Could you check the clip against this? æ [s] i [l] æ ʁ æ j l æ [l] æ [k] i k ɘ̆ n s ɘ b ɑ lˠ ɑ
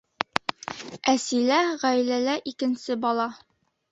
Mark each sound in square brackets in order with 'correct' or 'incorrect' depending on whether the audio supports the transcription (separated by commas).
correct, correct, correct, incorrect